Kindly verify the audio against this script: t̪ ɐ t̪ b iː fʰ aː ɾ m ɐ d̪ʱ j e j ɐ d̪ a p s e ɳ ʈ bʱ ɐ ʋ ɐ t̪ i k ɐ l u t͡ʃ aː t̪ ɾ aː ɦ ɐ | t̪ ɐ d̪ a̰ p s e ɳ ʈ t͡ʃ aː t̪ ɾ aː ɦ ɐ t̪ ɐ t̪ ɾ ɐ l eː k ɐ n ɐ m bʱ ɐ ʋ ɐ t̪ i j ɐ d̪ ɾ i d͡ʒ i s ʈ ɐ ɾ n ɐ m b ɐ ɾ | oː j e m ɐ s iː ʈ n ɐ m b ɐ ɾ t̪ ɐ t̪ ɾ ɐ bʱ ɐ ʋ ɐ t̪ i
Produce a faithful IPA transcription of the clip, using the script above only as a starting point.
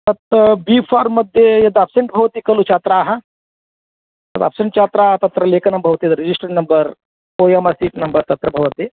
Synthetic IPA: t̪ ɐ t̪ b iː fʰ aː ɾ m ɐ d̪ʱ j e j ɐ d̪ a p s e ɳ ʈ bʱ ɐ ʋ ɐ t̪ i k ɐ l u t͡ʃ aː t̪ ɾ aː ɦ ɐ | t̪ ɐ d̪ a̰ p s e ɳ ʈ t͡ʃ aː t̪ ɾ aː ɦ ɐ t̪ ɐ t̪ ɾ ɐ l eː k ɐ n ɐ m bʱ ɐ ʋ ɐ t̪ i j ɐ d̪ ɾ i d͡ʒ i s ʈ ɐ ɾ n ɐ m b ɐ ɾ | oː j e m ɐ s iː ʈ n ɐ m b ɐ ɾ t̪ ɐ t̪ ɾ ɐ bʱ ɐ ʋ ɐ t̪ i